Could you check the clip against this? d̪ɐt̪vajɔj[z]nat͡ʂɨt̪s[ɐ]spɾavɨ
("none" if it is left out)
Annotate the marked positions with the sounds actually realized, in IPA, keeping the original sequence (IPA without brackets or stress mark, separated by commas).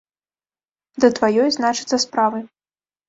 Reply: z, ɐ